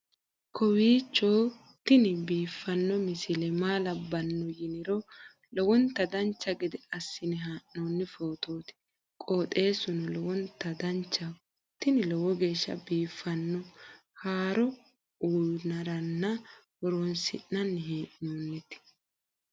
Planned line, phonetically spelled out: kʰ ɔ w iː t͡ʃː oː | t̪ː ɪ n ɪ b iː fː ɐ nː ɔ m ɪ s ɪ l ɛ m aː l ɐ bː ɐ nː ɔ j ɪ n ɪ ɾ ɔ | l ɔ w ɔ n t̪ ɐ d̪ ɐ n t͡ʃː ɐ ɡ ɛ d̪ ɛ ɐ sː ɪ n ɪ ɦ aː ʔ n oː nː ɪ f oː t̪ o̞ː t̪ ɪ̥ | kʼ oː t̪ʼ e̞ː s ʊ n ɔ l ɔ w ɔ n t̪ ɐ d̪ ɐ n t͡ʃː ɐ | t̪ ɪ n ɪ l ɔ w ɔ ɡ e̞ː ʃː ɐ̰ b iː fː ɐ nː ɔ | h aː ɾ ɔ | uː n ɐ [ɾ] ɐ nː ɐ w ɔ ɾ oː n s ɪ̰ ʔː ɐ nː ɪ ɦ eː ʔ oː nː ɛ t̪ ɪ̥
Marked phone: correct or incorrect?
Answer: correct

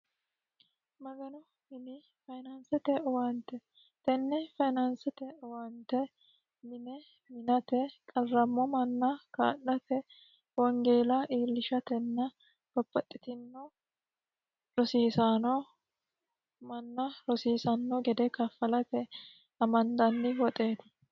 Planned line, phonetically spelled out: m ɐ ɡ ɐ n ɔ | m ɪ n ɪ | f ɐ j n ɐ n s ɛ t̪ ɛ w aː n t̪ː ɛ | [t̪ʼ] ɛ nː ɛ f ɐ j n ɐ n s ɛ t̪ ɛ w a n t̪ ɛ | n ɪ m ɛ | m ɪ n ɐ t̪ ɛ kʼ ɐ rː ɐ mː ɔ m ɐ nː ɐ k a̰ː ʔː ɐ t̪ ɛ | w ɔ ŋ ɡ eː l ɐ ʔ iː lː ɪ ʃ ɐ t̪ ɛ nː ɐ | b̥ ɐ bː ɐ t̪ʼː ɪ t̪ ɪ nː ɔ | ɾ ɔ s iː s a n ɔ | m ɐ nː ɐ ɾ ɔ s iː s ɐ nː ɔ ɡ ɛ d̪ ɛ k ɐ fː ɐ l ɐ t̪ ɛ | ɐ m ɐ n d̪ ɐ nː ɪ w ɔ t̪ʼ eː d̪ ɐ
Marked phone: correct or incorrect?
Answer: incorrect: t̪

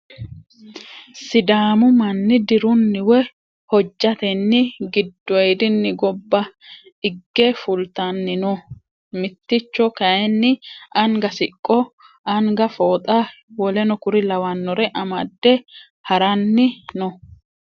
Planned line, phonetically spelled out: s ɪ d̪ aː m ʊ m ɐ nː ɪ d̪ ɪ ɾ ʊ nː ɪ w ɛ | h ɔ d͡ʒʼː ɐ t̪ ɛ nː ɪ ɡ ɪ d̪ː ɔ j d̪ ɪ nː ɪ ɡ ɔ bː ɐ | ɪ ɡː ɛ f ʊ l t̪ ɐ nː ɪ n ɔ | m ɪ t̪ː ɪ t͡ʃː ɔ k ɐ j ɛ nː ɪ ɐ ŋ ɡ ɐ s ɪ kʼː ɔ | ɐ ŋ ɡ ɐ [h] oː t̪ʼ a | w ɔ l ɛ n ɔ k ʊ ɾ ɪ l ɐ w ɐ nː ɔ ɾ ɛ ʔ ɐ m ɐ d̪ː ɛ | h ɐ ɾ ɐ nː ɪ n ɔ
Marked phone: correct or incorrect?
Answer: incorrect: f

